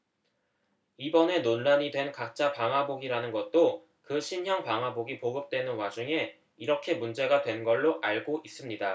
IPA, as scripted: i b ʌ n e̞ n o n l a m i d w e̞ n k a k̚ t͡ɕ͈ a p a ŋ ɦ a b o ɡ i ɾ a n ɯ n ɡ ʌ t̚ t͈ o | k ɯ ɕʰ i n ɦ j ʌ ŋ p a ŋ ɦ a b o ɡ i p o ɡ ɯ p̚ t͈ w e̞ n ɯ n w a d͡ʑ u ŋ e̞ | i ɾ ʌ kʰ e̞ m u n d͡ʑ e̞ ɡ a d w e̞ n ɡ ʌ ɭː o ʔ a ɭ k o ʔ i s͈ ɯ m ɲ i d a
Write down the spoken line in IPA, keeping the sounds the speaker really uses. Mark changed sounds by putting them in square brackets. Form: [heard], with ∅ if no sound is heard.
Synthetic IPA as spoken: i b ʌ n e̞ n o n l a [ɲ] i d w e̞ n k a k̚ t͡ɕ͈ a p a ŋ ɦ a b o ɡ i ɾ a n ɯ n ɡ ʌ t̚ t͈ o | k ɯ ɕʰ i n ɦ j ʌ ŋ p a ŋ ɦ a b o ɡ i p o ɡ ɯ p̚ t͈ w e̞ n ɯ n w a d͡ʑ u ŋ e̞ | i ɾ ʌ kʰ e̞ m u n d͡ʑ e̞ ɡ a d w e̞ n ɡ ʌ ɭː o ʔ a ɭ [ɡ] o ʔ i s͈ ɯ m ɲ i d a